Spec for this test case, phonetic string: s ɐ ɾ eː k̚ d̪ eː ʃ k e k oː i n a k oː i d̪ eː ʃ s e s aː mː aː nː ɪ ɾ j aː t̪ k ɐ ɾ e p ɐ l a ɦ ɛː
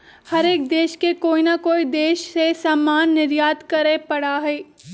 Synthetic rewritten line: h ɐ ɾ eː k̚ d̪ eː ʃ k e k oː i n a k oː i d̪ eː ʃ s e s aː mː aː nː ɪ ɾ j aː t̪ k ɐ ɾ e p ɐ ɽ a ɦ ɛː